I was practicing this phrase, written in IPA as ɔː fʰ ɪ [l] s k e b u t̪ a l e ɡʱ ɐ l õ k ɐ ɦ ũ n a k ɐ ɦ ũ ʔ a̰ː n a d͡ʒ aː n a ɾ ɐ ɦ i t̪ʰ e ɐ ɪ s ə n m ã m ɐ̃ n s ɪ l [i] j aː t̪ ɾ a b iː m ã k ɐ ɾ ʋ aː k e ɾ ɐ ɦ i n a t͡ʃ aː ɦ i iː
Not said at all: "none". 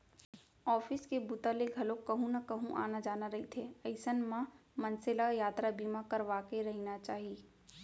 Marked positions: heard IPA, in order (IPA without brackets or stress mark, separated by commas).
none, a